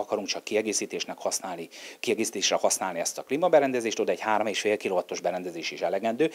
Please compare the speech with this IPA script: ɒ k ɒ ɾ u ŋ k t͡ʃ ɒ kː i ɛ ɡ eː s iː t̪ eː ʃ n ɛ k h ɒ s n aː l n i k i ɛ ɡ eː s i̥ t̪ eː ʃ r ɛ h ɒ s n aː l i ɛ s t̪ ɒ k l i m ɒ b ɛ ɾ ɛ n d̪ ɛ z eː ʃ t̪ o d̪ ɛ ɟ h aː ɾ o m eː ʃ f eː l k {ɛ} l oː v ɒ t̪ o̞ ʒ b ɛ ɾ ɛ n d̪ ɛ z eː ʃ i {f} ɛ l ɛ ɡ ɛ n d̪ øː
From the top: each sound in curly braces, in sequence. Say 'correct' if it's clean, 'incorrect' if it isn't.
incorrect: i, incorrect: ʃ

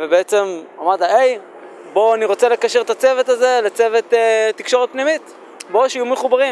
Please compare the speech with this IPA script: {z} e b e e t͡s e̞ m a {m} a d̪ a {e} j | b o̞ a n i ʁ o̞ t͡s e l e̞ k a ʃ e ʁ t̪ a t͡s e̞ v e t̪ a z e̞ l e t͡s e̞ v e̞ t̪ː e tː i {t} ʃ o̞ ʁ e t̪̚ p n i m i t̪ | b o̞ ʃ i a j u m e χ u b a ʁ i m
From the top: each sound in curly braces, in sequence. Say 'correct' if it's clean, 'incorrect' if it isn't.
incorrect: v, correct, correct, incorrect: k

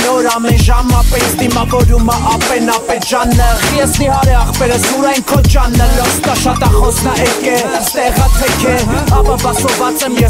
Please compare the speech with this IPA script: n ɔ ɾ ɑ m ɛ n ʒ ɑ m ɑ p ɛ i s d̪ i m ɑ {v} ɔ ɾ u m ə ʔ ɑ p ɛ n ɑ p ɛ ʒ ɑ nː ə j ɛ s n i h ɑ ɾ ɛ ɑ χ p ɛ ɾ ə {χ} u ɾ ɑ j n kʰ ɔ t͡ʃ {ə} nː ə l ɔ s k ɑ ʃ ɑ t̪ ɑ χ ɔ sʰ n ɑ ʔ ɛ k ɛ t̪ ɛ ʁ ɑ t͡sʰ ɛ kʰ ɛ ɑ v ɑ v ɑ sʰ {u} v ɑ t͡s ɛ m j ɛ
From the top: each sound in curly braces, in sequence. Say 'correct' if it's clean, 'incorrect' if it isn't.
correct, incorrect: s, incorrect: ɑ, incorrect: ɔ

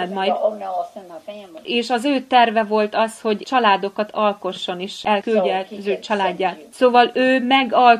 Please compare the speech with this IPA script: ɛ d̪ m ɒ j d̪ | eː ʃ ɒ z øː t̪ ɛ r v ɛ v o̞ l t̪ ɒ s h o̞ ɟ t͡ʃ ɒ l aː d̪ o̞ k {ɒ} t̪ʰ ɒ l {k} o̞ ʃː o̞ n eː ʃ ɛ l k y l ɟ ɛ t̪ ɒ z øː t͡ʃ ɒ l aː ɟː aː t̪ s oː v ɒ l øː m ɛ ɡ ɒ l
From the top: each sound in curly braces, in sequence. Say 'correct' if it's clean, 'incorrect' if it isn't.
correct, correct

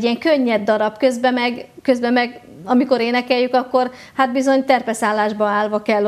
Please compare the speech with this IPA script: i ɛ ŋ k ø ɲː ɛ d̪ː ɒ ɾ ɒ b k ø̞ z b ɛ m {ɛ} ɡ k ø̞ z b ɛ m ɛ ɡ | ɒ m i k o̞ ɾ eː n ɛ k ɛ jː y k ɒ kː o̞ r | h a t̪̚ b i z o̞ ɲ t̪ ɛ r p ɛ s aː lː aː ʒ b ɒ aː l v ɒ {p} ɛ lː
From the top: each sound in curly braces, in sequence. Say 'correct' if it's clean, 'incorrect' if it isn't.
correct, incorrect: k

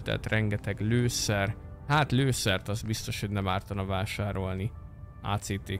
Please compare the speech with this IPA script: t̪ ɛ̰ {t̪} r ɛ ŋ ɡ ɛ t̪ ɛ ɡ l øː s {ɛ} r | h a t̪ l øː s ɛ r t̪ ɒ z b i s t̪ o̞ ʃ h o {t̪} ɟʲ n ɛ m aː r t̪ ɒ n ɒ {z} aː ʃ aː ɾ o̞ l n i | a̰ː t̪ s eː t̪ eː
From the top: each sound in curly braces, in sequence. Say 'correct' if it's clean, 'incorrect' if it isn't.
correct, correct, incorrect: none, incorrect: v

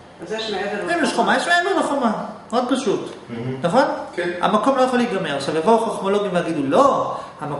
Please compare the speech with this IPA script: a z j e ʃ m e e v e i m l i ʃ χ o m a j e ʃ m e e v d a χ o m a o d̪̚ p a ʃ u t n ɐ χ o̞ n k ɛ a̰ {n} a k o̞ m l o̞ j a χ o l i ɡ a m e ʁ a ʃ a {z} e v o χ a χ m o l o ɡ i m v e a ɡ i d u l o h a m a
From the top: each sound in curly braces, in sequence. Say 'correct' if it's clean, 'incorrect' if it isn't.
incorrect: m, incorrect: v

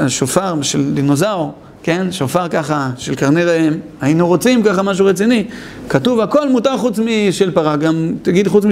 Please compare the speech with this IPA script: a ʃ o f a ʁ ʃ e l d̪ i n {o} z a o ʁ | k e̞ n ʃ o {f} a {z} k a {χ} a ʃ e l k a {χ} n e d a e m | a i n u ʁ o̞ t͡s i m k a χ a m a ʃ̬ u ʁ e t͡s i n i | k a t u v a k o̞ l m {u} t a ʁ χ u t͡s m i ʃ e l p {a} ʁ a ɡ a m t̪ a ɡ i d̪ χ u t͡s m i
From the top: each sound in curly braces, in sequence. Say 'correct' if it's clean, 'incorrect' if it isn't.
correct, correct, incorrect: ʁ, correct, incorrect: ʁ, correct, correct

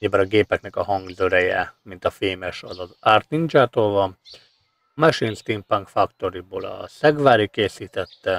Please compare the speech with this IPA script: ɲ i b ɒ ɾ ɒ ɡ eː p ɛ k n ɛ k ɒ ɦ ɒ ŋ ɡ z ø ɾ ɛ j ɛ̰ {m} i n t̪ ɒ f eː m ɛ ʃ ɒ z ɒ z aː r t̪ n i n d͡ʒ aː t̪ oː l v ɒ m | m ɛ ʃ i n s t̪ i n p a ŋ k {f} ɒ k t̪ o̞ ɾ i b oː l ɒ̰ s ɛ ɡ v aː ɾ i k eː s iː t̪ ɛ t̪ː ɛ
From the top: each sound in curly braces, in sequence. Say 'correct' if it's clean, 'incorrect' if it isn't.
correct, correct

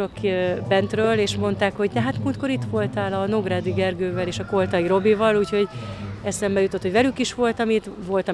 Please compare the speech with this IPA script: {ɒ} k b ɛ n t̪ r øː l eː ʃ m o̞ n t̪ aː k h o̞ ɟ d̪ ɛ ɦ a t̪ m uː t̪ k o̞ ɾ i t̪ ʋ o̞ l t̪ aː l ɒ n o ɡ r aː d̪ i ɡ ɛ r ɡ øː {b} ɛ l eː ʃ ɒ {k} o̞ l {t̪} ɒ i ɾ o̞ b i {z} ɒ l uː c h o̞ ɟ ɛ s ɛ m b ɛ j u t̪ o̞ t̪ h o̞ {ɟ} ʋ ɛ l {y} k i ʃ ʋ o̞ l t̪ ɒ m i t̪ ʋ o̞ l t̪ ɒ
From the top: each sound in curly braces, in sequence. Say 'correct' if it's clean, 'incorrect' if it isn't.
incorrect: o, incorrect: v, correct, correct, incorrect: v, correct, correct

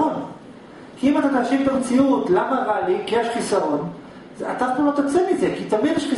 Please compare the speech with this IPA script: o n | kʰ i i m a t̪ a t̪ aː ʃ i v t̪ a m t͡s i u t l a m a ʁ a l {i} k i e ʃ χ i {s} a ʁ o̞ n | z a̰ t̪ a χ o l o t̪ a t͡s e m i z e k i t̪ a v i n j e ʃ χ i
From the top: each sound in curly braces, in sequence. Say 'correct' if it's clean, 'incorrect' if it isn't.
correct, correct

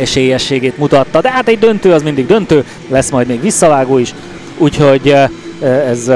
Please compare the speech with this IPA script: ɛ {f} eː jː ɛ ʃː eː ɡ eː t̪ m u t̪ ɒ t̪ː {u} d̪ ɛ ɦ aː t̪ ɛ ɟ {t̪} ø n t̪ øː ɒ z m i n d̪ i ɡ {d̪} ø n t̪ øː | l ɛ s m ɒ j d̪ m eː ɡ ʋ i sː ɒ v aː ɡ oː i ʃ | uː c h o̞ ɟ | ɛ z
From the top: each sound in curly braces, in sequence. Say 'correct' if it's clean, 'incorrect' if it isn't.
incorrect: ʃ, incorrect: ɒ, incorrect: d̪, correct

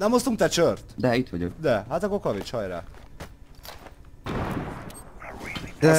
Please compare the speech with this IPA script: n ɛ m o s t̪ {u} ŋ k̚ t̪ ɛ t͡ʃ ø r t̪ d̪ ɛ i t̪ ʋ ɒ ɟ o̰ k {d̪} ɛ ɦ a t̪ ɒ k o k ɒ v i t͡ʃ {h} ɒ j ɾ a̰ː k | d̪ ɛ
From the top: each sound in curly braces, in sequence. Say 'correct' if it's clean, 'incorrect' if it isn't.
correct, correct, correct

